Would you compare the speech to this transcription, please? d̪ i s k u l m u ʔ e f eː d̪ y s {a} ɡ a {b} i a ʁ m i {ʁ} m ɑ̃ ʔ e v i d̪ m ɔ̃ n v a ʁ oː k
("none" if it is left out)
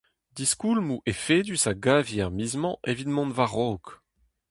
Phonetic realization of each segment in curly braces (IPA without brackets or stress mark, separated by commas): a, v, z